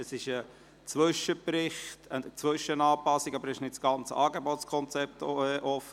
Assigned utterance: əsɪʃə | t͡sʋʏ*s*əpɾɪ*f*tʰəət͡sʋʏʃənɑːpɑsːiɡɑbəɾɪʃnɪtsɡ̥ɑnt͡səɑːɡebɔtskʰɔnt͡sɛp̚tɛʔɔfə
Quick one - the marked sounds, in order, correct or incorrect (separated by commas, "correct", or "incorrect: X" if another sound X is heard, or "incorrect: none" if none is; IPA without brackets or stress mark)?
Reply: incorrect: ʃ, incorrect: χ